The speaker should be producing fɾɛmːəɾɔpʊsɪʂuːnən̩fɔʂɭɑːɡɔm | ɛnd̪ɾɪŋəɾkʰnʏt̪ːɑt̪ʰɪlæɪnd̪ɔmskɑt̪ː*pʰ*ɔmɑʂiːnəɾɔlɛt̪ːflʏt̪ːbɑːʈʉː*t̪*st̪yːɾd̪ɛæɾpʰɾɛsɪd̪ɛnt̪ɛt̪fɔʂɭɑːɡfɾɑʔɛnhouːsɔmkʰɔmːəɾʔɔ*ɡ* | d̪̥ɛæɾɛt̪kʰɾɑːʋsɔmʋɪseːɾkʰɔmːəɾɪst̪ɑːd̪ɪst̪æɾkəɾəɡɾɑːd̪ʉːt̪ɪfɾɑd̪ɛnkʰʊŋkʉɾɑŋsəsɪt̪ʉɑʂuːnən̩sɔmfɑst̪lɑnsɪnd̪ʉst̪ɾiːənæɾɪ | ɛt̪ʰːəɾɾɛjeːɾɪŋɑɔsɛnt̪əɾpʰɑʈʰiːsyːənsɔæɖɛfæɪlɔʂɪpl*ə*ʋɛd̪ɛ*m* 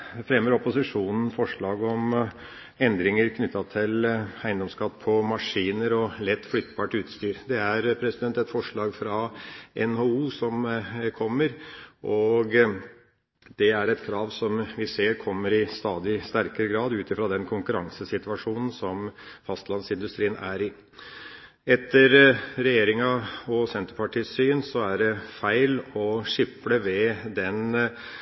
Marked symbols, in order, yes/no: yes, yes, yes, yes, no

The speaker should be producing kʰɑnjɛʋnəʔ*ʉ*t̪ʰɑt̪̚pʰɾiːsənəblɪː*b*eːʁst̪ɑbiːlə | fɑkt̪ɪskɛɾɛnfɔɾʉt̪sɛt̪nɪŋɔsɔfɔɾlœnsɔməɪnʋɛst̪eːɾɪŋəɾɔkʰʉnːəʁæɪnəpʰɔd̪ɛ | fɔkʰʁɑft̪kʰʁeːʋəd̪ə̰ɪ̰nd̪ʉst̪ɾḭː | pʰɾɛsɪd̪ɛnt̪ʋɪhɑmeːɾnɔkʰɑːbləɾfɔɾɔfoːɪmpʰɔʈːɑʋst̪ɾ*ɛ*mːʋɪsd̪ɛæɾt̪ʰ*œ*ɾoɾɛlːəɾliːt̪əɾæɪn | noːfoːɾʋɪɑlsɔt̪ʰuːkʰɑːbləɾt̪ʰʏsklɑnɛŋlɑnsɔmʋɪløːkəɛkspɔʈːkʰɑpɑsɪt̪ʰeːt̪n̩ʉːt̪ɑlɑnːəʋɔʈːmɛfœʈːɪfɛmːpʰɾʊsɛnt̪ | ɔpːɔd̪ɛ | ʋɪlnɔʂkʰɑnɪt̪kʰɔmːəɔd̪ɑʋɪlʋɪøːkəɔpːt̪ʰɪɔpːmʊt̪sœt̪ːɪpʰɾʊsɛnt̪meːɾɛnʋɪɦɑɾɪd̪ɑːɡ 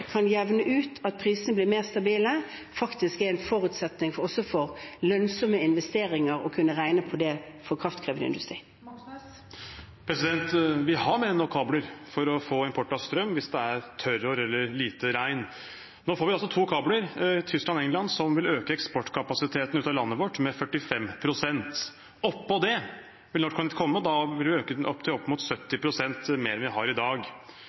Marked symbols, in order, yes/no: no, no, no, yes

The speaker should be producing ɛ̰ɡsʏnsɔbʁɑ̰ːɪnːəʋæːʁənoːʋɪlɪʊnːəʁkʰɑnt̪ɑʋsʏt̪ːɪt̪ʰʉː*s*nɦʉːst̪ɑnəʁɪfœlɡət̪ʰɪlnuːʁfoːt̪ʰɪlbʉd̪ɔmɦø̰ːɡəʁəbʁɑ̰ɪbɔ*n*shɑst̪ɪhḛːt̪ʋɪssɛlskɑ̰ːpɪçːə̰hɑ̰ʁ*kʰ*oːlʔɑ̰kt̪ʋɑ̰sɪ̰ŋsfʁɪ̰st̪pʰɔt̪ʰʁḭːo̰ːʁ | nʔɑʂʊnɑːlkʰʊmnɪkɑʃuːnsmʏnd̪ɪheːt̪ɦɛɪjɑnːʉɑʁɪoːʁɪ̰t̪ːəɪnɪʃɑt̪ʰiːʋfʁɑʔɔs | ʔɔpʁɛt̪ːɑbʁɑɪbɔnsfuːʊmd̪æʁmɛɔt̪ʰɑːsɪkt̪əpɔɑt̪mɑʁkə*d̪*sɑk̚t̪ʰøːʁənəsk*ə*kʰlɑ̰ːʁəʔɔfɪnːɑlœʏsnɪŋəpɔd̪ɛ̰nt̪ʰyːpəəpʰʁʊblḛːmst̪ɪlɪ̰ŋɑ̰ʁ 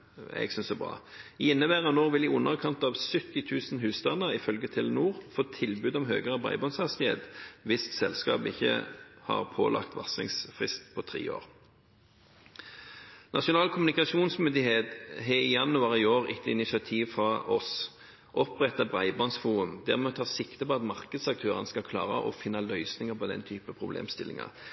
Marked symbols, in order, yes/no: yes, yes, no, yes, no

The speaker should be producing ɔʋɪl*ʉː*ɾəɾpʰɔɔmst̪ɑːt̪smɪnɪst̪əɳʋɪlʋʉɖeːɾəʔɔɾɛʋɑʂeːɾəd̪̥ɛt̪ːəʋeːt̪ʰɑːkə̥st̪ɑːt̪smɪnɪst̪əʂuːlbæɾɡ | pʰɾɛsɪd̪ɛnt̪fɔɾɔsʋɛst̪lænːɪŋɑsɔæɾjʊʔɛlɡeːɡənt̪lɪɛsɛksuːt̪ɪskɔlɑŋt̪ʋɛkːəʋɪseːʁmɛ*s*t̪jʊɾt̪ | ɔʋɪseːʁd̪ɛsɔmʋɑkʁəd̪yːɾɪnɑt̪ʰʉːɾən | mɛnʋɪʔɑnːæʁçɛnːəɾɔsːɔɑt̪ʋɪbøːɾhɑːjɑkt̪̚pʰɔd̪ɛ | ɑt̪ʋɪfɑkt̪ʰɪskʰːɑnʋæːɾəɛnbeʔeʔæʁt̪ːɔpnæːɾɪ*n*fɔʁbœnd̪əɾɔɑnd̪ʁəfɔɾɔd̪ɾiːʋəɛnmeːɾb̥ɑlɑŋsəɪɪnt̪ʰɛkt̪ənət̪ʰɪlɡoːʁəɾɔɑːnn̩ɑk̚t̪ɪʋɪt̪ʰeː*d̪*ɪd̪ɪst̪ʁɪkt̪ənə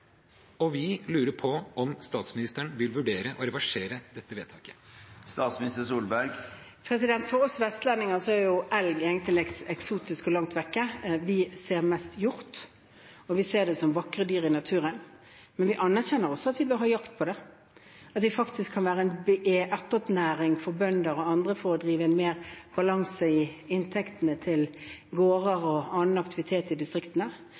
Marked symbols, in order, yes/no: yes, yes, no, no

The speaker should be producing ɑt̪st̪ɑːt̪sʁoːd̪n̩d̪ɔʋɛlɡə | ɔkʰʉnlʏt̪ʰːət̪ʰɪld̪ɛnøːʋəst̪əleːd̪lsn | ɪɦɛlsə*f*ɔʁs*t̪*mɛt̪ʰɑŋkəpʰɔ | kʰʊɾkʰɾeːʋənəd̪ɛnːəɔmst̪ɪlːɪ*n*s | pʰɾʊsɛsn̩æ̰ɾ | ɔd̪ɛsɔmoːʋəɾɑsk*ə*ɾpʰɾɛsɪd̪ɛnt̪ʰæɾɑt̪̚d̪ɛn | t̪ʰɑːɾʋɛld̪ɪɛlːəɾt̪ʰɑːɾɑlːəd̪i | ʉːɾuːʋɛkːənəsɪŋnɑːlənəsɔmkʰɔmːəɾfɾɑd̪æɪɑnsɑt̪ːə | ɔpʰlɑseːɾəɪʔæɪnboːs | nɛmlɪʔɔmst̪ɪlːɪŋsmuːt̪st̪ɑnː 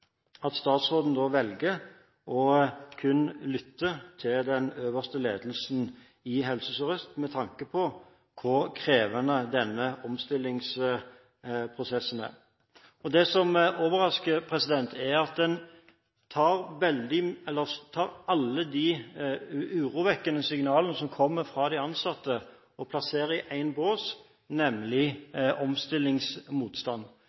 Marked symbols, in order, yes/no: no, yes, no, yes

